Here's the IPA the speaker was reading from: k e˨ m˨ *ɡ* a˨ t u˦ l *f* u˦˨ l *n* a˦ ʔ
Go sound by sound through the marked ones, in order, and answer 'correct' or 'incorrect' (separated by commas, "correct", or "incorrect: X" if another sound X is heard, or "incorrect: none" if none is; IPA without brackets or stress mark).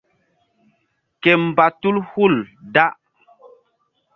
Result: incorrect: b, incorrect: h, incorrect: d